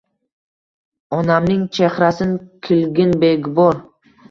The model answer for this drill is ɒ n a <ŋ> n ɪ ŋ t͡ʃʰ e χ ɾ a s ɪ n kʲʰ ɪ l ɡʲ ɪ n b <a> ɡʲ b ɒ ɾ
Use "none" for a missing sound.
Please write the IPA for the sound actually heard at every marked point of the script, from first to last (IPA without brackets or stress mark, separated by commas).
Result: m, e